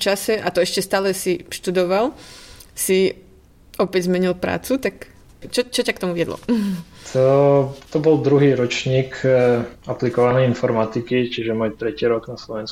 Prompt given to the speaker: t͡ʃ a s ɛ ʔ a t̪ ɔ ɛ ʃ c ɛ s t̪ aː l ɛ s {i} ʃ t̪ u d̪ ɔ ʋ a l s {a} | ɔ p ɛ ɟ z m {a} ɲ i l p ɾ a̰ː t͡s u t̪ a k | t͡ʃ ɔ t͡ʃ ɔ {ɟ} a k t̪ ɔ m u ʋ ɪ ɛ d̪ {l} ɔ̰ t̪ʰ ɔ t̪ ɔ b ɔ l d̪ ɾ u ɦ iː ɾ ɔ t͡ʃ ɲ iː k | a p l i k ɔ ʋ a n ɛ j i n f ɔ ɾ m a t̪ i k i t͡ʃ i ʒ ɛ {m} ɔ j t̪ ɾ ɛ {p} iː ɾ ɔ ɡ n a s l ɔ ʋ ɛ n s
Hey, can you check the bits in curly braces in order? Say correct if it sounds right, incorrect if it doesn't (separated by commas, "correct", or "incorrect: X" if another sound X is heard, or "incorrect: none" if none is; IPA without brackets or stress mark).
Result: correct, incorrect: i, incorrect: ɛ, incorrect: c, correct, correct, incorrect: c